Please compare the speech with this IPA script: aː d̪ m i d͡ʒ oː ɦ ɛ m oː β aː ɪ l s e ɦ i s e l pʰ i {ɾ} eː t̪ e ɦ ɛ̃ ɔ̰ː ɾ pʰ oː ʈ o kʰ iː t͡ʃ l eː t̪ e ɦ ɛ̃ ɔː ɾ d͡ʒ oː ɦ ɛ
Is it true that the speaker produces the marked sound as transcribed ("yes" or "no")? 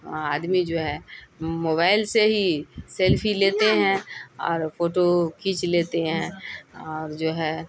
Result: no